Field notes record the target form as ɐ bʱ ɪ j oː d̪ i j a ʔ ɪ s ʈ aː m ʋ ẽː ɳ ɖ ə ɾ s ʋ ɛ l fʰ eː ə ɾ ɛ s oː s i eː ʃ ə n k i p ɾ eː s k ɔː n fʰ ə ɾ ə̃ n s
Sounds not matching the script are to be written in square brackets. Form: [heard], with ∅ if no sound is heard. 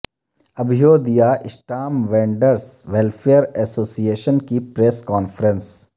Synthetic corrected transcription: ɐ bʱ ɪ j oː d̪ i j a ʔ ɪ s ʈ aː m ʋ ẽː ɳ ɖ ə ɾ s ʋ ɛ l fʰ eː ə ɾ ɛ s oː s i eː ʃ ə n k i p ɾ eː s k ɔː n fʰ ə ɾ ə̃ n s